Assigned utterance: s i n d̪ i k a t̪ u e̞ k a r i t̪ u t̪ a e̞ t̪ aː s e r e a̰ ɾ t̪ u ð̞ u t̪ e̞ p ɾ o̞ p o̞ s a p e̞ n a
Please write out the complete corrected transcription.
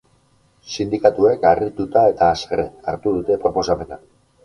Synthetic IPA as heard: s i n d̪ i k a t̪ u e̞ k a r i t̪ u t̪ a e̞ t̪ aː s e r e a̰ ɾ t̪ u ð̞ u t̪ e̞ p ɾ o̞ p o̞ s a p e̞ n a